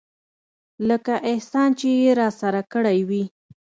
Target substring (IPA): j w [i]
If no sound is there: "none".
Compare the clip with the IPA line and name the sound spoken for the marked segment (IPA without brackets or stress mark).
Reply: i